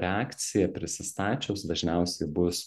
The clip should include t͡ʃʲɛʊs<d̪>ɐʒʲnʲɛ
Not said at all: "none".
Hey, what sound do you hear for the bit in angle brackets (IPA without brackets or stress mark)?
d̪